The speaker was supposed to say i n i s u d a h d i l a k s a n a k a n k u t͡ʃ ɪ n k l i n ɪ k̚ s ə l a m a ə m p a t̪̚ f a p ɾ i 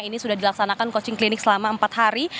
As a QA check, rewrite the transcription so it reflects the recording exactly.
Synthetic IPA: i n i s u d a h d i l a k s a n a k a n k o t͡ʃ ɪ ŋ k l i n ɪ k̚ s ə l a m a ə m p a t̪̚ h a ɾ i